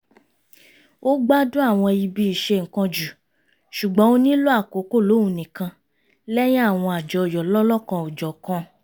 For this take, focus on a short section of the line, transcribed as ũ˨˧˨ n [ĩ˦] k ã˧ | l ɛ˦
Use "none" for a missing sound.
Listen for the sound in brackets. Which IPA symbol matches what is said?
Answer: ĩ˨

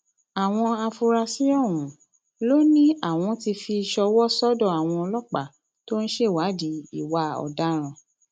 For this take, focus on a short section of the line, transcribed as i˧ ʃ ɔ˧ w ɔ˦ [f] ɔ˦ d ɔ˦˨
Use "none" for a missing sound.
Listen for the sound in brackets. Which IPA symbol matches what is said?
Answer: s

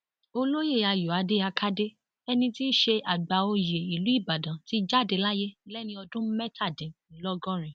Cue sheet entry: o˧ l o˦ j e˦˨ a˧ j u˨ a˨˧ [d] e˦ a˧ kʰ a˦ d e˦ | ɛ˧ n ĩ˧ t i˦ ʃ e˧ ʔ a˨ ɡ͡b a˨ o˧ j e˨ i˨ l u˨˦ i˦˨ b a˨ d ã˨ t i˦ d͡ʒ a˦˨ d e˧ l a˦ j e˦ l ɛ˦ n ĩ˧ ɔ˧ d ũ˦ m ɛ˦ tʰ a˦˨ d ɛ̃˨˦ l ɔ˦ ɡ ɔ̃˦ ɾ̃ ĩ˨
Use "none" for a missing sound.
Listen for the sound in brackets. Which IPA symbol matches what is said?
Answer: d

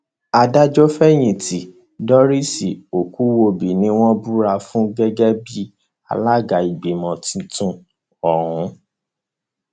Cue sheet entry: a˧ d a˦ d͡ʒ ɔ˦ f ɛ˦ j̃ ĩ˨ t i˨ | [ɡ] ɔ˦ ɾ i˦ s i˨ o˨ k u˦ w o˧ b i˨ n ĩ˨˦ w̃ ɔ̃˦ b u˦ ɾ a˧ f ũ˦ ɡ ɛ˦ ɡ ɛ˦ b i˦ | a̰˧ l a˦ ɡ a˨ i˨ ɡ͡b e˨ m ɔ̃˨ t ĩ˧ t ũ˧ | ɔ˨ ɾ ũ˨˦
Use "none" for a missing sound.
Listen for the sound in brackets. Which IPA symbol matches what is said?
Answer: d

